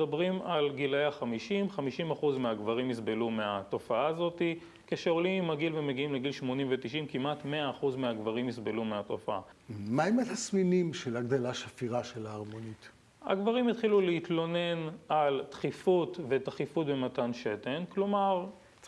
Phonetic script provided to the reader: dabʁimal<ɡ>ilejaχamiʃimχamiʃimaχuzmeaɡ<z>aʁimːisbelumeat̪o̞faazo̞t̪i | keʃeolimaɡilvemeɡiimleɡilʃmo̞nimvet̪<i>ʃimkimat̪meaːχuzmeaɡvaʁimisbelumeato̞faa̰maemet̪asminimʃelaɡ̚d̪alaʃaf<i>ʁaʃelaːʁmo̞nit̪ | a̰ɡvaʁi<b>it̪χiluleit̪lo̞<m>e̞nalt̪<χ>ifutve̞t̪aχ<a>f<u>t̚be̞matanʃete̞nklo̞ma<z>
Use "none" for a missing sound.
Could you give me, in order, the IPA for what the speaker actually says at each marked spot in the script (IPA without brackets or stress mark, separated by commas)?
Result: ɡ, v, i, i, m, n, χ, i, u, ʁ